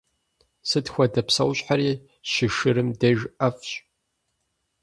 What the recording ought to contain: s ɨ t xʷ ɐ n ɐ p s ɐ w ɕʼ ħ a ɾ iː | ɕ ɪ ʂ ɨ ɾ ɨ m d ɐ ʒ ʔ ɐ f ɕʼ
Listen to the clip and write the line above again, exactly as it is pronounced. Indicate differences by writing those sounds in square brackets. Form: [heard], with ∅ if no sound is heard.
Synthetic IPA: s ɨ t xʷ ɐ [d] ɐ p s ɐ w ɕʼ ħ a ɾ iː | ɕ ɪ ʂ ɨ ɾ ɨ m d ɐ ʒ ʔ ɐ f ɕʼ